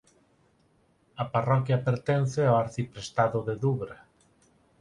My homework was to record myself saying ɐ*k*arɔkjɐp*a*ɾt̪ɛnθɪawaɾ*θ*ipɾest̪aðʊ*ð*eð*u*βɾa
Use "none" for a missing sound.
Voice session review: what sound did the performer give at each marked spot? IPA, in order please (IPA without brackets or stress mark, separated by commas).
p, e, θ, ð, u